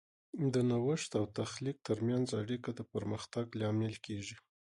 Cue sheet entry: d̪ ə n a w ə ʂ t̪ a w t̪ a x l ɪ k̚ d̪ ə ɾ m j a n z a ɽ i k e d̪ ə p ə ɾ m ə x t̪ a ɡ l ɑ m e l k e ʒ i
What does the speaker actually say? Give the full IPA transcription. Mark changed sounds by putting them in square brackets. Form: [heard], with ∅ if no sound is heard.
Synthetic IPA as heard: d̪ ə n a w ə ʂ t̪ a w t̪ a x l [i] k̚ [t̪] ə ɾ m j a n z a ɽ i k [a] d̪ ə p ə ɾ m ə x t̪ a ɡ l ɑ m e l k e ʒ i

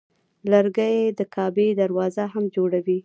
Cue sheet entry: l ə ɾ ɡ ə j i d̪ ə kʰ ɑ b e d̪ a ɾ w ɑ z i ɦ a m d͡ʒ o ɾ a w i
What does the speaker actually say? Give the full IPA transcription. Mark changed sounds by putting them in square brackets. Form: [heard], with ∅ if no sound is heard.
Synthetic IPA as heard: l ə ɾ ɡ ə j [e] d̪ ə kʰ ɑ b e d̪ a ɾ w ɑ z [a] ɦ a m d͡ʒ o [ɽ] a w i

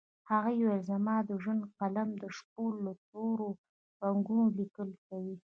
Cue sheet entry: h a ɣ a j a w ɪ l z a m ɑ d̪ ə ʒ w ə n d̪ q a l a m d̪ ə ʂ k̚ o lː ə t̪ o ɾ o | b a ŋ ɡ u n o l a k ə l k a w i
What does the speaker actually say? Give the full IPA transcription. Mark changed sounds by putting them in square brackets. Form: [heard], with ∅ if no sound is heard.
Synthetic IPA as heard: h a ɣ a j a w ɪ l z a m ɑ d̪ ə ʒ w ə n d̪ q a l a m d̪ ə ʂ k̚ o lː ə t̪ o ɾ o | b a ŋ ɡ u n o l [i] k ə l k a w i

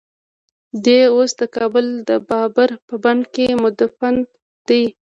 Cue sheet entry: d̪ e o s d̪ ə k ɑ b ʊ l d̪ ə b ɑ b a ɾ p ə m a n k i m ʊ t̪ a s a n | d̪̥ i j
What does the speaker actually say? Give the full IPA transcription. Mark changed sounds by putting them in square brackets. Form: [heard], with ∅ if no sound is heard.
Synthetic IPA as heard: d̪ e o s d̪ ə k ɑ b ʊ l d̪ ə b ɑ b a ɾ p ə [b] a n k [e] m ʊ [d̪] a [f] a n | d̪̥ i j

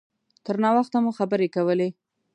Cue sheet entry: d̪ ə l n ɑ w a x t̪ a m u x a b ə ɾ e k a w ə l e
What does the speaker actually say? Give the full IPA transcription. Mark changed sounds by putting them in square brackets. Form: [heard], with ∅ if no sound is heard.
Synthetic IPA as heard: [t̪] ə [ɾ] n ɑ w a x t̪ a m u x a b ə ɾ e k a w ə l e

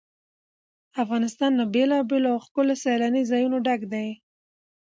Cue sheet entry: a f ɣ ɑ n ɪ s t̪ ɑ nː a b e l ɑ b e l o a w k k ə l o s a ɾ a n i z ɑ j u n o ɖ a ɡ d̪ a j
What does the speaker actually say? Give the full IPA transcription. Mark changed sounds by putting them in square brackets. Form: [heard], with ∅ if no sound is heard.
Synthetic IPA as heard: a f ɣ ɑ n ɪ s t̪ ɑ nː a b e l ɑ b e l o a w [x] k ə l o s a [l] a n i z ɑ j u n o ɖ a ɡ d̪ a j

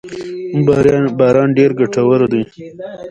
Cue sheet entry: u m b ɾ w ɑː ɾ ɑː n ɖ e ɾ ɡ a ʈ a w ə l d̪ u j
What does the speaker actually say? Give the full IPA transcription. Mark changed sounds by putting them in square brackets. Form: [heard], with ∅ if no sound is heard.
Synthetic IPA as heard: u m b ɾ [b] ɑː ɾ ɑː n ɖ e ɾ ɡ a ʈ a w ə [ɾ] d̪ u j

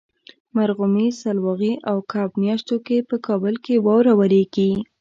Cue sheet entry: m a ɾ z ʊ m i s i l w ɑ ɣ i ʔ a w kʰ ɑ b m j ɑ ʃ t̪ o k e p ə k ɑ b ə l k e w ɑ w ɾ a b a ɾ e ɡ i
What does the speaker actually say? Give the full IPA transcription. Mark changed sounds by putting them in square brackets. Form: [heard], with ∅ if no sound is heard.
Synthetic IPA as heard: m a ɾ [ɣ] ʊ m i s [a] l w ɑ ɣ i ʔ a w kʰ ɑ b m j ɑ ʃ t̪ o k e p ə k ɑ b ə l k e w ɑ w ɾ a [w] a ɾ e ɡ i

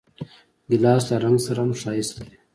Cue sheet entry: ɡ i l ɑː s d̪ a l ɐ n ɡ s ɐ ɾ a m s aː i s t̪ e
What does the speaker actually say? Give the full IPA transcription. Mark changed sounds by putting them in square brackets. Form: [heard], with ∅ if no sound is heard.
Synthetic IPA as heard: ɡ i l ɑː s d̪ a [ɾ] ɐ [ŋ] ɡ s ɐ ɾ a m [ʂ] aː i s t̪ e

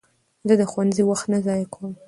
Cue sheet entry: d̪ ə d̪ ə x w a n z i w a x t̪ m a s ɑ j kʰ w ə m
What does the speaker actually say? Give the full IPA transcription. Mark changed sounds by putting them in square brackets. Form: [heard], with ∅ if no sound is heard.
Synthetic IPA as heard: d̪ ə d̪ ə x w a n z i w a x t̪ [n] a [z] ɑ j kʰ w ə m

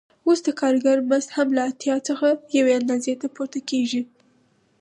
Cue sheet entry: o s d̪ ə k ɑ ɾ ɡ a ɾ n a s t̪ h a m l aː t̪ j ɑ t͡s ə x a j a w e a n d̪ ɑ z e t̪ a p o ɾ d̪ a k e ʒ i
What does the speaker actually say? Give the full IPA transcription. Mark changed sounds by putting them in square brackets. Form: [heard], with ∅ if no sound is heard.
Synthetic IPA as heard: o s d̪ ə k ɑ ɾ ɡ a ɾ [m] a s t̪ h a m l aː t̪ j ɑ t͡s ə x a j a w e a n d̪ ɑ z e t̪ a p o ɾ [t̪] a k e ʒ i

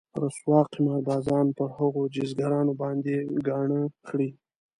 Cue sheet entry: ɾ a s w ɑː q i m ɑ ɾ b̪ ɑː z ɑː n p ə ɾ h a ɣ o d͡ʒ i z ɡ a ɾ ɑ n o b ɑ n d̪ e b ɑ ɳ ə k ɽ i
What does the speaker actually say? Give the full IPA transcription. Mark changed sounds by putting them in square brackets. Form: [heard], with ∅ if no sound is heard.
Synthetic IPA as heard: ɾ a s w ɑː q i m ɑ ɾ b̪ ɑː z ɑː n p ə ɾ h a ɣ o d͡ʒ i z ɡ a ɾ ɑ n o b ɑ n d̪ e [ɡ] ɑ ɳ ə [x] ɽ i

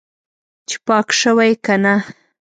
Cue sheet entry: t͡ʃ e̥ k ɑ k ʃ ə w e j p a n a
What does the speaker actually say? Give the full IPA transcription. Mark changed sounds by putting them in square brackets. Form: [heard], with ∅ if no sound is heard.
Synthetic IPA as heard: t͡ʃ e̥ [p] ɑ k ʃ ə w [a] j [k] a n a

